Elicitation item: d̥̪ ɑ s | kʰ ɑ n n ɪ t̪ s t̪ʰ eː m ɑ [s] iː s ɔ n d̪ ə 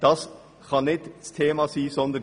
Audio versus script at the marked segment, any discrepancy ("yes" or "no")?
no